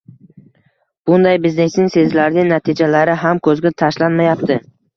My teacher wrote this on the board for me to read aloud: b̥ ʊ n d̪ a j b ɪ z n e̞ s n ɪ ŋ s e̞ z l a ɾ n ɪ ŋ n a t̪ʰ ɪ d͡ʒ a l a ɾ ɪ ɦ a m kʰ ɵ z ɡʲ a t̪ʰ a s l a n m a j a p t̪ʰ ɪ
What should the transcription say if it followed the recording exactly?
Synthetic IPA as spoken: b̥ ʊ n d̪ a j b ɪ z n e̞ s n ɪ ŋ s e̞ z l a ɾ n ɪ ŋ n a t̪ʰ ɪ d͡ʒ a l a ɾ ɪ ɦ a m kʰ ɵ z ɡʲ a t̪ʰ a ʃ l a n m a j a p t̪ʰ ɪ